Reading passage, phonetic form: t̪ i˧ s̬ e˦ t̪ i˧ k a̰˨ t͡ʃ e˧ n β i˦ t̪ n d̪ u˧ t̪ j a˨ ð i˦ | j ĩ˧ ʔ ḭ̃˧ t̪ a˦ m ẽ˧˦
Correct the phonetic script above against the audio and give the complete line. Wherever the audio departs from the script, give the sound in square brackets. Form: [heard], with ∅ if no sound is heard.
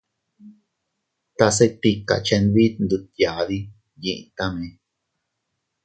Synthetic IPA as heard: t̪ [a˧] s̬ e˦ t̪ i˧ k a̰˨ t͡ʃ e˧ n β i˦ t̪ n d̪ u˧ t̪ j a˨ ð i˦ | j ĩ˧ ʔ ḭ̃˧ t̪ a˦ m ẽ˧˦